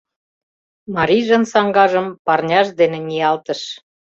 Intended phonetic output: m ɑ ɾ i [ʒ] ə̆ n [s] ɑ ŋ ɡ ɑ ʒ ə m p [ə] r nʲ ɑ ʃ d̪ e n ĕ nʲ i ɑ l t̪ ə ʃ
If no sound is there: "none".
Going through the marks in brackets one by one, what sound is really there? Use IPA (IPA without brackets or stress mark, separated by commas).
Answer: ʒ, s, ɑ